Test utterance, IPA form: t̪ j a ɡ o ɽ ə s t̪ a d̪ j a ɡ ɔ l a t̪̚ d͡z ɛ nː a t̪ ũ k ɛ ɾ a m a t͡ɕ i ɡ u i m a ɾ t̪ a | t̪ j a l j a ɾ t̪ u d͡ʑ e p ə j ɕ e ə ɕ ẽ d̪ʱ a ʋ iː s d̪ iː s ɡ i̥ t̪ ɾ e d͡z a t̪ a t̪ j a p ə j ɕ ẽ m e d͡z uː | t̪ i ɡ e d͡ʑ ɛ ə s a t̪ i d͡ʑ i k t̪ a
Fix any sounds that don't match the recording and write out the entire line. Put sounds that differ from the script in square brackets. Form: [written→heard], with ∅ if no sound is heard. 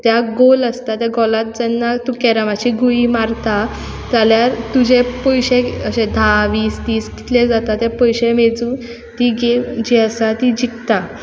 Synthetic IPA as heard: t̪ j a ɡ o [ɽ→l] ə s t̪ a [d̪→t̪] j a ɡ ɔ l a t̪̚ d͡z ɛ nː a t̪ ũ k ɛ ɾ a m a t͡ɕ i ɡ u i m a ɾ t̪ a | t̪ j a l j a ɾ t̪ u d͡ʑ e p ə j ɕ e ə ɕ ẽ d̪ʱ a ʋ iː s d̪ iː s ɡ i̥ t̪ [ɾ→l] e d͡z a t̪ a t̪ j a p ə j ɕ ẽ m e d͡z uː | t̪ i ɡ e d͡ʑ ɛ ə s a t̪ i d͡ʑ i k t̪ a

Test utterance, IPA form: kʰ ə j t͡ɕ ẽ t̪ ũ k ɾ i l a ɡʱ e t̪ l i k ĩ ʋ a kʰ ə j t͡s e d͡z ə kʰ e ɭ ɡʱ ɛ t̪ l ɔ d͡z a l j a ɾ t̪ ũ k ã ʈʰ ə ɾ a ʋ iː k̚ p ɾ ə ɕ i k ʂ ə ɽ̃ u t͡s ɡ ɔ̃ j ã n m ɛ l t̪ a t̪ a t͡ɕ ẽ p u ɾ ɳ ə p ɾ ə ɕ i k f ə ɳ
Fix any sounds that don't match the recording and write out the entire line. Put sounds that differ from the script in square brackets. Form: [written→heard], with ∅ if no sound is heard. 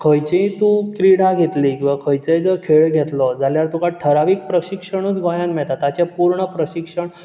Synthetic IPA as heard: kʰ ə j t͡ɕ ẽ t̪ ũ k ɾ i [l→ɽ] a ɡʱ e t̪ l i k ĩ ʋ a kʰ ə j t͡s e d͡z ə kʰ e ɭ ɡʱ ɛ t̪ l ɔ d͡z a l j a ɾ t̪ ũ k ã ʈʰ ə ɾ a ʋ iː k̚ p ɾ ə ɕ i k ʂ ə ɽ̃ u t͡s ɡ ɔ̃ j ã n m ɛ [l→ɭ] t̪ a t̪ a t͡ɕ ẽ p u ɾ ɳ ə p ɾ ə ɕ i k [f→ʂ] ə ɳ

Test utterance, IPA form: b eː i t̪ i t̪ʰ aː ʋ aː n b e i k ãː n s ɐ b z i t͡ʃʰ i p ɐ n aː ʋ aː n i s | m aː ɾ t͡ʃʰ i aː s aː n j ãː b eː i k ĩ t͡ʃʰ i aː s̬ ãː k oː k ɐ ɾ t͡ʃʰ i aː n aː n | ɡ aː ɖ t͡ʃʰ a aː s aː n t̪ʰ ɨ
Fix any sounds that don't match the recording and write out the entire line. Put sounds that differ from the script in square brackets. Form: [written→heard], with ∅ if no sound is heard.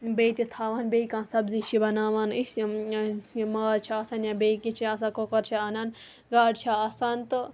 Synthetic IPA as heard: b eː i t̪ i t̪ʰ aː ʋ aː n b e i k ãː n s ɐ b z i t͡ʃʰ i [p→b] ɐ n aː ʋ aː n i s | m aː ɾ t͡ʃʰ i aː s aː n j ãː b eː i k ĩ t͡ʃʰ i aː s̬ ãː k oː k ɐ ɾ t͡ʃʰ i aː n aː n | ɡ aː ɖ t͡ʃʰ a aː s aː n [t̪ʰ→t̪] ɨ

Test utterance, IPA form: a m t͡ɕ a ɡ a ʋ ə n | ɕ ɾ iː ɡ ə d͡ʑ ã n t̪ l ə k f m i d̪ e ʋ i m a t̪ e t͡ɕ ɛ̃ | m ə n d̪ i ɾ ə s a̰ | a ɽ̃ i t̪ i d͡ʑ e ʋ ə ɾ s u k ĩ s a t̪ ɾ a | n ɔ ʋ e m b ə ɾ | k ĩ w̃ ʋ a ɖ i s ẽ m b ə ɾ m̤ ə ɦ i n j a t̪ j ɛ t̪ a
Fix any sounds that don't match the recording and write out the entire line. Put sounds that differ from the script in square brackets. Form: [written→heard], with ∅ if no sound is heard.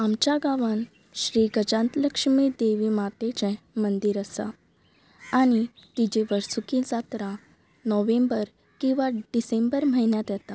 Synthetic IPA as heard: a m t͡ɕ a ɡ a ʋ ə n | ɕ ɾ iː ɡ ə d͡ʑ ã n t̪ l ə k [f→ʂ] m i d̪ e ʋ i m a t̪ e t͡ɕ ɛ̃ | m ə n d̪ i ɾ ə s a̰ | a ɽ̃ i t̪ i d͡ʑ e ʋ ə ɾ s u k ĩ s a t̪ ɾ a | n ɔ ʋ e m b ə ɾ | k ĩ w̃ ʋ a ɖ i s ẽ m b ə ɾ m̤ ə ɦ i n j a t̪ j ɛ t̪ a

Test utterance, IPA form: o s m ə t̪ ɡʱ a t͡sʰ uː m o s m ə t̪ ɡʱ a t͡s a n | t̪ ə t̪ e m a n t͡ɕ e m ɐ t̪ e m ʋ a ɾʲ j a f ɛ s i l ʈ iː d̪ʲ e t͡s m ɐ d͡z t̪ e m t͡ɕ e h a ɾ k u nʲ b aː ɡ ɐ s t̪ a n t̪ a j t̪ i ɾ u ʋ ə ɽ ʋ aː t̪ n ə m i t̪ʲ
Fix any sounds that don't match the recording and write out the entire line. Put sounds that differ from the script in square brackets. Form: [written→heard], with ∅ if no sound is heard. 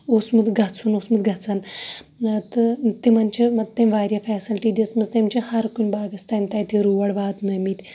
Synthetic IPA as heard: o s m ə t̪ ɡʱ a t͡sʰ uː [m→n] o s m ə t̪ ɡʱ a t͡s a n | t̪ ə t̪ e m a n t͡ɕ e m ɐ t̪ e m ʋ a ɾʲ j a f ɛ s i l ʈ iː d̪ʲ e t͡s m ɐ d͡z t̪ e m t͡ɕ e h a ɾ k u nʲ b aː ɡ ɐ s t̪ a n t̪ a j t̪ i ɾ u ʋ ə ɽ ʋ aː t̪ n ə m i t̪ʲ

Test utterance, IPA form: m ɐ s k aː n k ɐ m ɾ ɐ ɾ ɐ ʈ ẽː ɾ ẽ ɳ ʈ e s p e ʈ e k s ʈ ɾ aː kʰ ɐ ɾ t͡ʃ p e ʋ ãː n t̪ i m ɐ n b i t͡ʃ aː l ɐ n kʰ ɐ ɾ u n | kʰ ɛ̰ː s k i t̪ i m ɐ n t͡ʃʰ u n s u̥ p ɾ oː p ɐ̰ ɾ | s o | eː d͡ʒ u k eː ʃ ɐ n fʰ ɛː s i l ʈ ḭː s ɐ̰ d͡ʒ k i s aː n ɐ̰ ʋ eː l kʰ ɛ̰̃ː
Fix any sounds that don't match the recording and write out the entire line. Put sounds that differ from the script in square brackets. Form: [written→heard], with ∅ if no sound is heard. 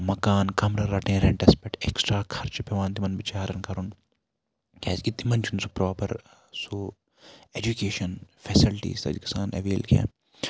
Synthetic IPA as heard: m ɐ [s→∅] k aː n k ɐ m ɾ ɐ ɾ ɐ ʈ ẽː ɾ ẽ ɳ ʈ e s p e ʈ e k s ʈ ɾ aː kʰ ɐ ɾ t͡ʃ p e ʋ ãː n t̪ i m ɐ n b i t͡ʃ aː [l→ɾ] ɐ n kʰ ɐ ɾ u n | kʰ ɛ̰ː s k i t̪ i m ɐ n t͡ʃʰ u n s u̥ p ɾ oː p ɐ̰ ɾ | s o | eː d͡ʒ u k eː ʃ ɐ n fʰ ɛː s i l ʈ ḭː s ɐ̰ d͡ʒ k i s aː n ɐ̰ ʋ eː l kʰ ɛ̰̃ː

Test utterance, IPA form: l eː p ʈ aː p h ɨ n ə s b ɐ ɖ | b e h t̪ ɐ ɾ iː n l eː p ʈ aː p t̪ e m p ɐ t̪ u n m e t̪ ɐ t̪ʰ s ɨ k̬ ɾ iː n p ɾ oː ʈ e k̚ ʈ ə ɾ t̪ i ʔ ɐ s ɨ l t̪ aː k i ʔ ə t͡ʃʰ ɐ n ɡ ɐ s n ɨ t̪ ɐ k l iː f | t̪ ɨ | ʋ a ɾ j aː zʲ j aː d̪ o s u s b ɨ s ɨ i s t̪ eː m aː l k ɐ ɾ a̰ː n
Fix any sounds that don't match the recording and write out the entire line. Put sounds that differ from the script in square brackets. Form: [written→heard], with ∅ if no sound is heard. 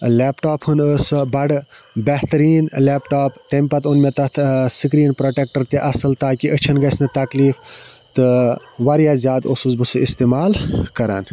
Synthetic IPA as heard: l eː p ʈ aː p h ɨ n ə s b ɐ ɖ | b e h t̪ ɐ ɾ iː n l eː p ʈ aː p t̪ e m p ɐ t̪ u n m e t̪ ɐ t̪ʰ s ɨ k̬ ɾ iː n p ɾ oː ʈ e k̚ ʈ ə ɾ t̪ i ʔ ɐ s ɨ l t̪ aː k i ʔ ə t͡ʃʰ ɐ n ɡ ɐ s n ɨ t̪ ɐ k l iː f | t̪ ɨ | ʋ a ɾ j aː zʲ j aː d̪ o s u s b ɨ s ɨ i s t̪ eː m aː l k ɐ ɾ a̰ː n

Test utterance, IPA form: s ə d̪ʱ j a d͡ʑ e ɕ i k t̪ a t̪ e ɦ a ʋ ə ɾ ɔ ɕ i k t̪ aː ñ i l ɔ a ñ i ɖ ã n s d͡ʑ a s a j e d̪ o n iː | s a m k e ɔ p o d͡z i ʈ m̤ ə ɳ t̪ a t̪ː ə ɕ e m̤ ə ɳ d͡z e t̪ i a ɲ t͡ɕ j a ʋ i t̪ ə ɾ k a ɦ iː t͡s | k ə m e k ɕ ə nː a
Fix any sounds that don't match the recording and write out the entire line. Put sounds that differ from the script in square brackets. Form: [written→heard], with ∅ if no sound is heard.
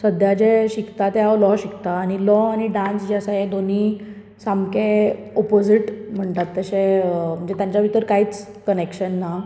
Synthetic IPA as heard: s ə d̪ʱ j a d͡ʑ e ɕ i k t̪ a t̪ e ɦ a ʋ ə [ɾ→l] ɔ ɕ i k t̪ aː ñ i l ɔ a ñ i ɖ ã n s d͡ʑ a s a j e d̪ o n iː | s a m k e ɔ p o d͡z i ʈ m̤ ə ɳ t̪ a t̪ː ə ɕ e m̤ ə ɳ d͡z e t̪ [i→j] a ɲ t͡ɕ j a ʋ i t̪ ə ɾ k a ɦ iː t͡s | k ə [m→n] e k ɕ ə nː a

